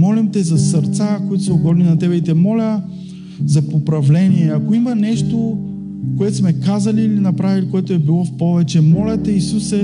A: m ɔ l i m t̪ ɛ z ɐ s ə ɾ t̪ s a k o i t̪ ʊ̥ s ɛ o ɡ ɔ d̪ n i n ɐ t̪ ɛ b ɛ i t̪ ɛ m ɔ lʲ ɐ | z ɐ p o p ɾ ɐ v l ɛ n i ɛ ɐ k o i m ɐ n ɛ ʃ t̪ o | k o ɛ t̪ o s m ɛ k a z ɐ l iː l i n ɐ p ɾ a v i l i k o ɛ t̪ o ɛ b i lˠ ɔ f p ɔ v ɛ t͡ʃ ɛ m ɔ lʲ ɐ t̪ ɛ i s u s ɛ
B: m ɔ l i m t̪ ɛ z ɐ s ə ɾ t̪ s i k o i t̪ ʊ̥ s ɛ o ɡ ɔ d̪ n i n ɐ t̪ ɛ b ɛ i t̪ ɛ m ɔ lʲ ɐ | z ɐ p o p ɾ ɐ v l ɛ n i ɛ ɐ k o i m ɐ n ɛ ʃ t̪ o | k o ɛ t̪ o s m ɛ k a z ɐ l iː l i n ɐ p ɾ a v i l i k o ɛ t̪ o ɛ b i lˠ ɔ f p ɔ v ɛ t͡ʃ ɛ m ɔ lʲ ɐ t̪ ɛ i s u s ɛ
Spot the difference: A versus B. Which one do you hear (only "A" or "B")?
A